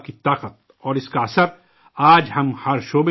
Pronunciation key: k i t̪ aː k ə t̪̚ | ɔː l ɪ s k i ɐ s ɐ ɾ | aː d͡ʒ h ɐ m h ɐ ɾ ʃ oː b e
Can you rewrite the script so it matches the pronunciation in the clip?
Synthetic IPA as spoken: k i t̪ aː q ə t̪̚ | ɔː ɾ ɪ s k a ɐ s ə ɾ | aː d͡ʒ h ɐ m h ɐ ɾ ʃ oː b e